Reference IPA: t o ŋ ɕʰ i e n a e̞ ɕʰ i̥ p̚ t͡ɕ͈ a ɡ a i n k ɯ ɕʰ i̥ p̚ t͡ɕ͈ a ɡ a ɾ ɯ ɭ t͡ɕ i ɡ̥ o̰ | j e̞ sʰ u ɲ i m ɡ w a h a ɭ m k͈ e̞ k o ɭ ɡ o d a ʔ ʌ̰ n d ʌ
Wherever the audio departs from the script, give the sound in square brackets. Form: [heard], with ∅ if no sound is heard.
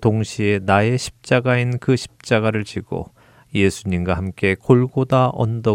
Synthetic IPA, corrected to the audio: t o ŋ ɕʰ i e n a e̞ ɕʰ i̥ p̚ t͡ɕ͈ a ɡ a i n k ɯ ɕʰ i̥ p̚ t͡ɕ͈ a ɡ a ɾ ɯ ɭ t͡ɕ i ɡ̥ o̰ | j e̞ sʰ u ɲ i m ɡ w a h a [∅] m k͈ e̞ k o ɭ ɡ o d a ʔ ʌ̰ n d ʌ